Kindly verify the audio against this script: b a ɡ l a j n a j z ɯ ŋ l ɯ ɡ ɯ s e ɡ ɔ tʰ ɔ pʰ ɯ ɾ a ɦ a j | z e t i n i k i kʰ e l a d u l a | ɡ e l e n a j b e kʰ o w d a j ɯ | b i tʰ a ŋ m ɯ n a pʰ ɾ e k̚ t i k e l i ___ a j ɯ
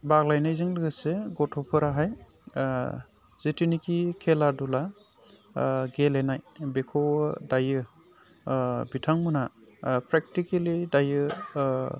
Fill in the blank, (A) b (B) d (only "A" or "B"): B